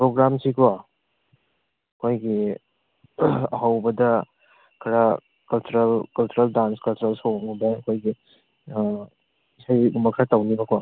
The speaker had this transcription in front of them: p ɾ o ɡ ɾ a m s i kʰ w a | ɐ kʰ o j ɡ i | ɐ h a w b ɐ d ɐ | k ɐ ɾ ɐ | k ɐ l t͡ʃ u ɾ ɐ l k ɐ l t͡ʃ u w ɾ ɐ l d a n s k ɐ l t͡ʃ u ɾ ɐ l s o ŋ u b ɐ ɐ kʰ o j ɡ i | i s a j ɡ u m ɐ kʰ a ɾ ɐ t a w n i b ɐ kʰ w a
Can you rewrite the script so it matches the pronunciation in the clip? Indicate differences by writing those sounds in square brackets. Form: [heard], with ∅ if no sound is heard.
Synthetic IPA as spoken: p ɾ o ɡ ɾ a m s i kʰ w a | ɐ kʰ o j ɡ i | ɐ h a w b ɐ d ɐ | [kʰ] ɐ ɾ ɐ | k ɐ l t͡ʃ u ɾ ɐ l k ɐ l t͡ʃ u [∅] ɾ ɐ l d a n s k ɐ l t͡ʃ u ɾ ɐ l s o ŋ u b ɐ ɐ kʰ o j ɡ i | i s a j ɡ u m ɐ kʰ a ɾ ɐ t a w n i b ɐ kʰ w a